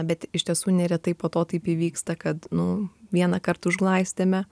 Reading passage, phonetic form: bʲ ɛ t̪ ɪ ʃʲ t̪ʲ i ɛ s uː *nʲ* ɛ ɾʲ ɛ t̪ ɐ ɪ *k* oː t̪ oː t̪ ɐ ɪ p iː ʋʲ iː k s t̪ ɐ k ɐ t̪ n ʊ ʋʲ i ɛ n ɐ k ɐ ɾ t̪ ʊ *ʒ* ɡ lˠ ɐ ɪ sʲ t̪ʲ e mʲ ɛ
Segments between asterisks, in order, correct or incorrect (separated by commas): correct, incorrect, correct